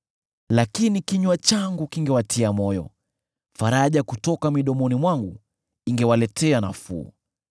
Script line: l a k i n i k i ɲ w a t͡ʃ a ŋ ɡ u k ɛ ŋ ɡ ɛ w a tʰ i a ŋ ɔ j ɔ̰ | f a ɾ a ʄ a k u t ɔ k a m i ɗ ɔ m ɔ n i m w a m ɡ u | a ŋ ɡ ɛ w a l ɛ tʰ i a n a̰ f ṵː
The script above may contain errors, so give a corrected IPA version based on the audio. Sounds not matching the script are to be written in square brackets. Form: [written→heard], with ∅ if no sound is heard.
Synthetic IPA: l a k i n i k i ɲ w a t͡ʃ a ŋ ɡ u k [ɛ→i] ŋ ɡ ɛ w a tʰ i a [ŋ→m] ɔ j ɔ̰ | f a ɾ a ʄ a k u t ɔ k a m i ɗ ɔ m ɔ n i m w a [m→ŋ] ɡ u | [a→i] ŋ ɡ ɛ w a l ɛ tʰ [i→ɛ] a n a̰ f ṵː

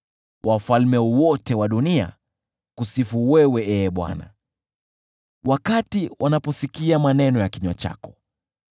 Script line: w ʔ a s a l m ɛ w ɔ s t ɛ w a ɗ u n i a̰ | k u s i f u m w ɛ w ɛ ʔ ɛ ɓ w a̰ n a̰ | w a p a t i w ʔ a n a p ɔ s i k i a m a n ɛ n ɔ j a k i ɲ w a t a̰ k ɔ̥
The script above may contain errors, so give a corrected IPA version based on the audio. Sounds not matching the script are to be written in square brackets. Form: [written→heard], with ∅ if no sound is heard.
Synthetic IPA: w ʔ a [s→f] a l m ɛ w ɔ [s→∅] t ɛ w a ɗ u n i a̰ | k u s i f u [m→∅] w ɛ w ɛ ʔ ɛ ɓ w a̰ n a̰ | w a [p→k] a t i w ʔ a n a p ɔ s i k i a m a n ɛ n ɔ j a k i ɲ w a [t→t͡ʃ] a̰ k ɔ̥

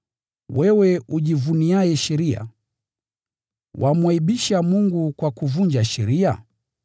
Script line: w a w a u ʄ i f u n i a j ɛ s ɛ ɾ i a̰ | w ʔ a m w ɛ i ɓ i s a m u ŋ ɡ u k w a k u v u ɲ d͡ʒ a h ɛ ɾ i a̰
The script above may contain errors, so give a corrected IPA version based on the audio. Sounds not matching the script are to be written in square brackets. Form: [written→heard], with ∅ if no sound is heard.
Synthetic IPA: w [a→ɛ] w [a→ɛ] u ʄ i [f→v] u n i a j ɛ [s→ʃ] ɛ ɾ i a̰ | w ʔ a m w [ɛ→a] i ɓ i [s→ʃ] a m u ŋ ɡ u k w a k u v u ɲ d͡ʒ a [h→ʃ] ɛ ɾ i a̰

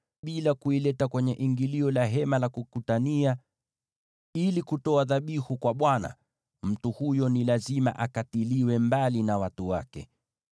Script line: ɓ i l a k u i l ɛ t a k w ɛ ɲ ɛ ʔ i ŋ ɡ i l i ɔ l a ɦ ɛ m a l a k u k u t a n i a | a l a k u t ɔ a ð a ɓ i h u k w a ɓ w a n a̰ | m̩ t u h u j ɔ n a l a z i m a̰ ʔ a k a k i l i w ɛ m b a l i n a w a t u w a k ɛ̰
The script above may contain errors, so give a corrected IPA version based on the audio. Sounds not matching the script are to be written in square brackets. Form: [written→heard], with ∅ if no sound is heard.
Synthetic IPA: ɓ i l a k u i l ɛ t a k w ɛ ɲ ɛ ʔ i ŋ ɡ i l i ɔ l a ɦ ɛ m a l a k u k u t a n i a | [a→i] l [a→i] k u t ɔ a ð a ɓ i h u k w a ɓ w a n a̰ | m̩ t u h u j ɔ n [a→i] l a z i m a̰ ʔ a k a [k→t] i l i w ɛ m b a l i n a w a t u w a k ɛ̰

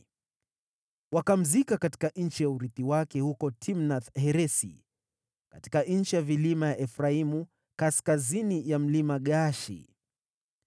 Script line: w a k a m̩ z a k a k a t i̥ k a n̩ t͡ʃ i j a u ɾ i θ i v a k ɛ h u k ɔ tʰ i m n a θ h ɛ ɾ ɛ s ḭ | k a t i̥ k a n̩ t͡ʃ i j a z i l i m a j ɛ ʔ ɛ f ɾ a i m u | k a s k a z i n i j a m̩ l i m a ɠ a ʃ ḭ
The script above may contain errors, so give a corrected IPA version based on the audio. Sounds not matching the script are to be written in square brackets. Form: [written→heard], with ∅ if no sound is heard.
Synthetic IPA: w a k a m̩ z [a→i] k a k a t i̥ k a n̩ t͡ʃ i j a u ɾ i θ i [v→w] a k ɛ h u k ɔ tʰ i m n a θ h ɛ ɾ ɛ s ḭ | k a t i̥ k a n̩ t͡ʃ i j a [z→v] i l i m a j [ɛ→a] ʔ ɛ f ɾ a i m u | k a s k a z i n i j a m̩ l i m a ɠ a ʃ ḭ

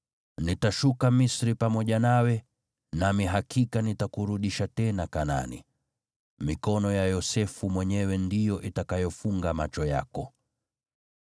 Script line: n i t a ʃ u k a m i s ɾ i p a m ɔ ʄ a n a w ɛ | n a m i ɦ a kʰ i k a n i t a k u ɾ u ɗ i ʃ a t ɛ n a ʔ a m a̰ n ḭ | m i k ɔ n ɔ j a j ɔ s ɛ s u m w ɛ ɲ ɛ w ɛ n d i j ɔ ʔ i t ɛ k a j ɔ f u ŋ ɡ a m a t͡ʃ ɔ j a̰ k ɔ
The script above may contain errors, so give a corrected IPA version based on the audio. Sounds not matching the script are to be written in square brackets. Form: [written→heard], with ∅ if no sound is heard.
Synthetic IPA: n i t a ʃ u k a m i s ɾ i p a m ɔ ʄ a n a w ɛ | n a m i ɦ a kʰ i k a n i t a k u ɾ u ɗ i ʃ a t ɛ n a [ʔ→k] a [m→n] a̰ n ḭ | m i k ɔ n ɔ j a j ɔ s ɛ [s→f] u m w ɛ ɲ ɛ w ɛ n d i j ɔ ʔ i t [ɛ→a] k a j ɔ f u ŋ ɡ a m a t͡ʃ ɔ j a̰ k ɔ

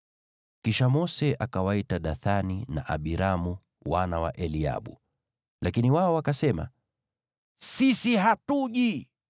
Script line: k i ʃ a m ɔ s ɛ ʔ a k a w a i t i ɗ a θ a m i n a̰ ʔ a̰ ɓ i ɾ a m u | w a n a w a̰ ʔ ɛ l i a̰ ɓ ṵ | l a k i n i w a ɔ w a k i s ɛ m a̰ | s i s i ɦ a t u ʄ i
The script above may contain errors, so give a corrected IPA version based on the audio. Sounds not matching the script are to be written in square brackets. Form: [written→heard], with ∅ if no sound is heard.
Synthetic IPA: k i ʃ a m ɔ s ɛ ʔ a k a w a i t [i→a] ɗ a θ a [m→n] i n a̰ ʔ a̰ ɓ i ɾ a m u | w a n a w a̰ ʔ ɛ l i a̰ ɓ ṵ | l a k i n i w a ɔ w a k [i→a] s ɛ m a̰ | s i s i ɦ a t u ʄ i

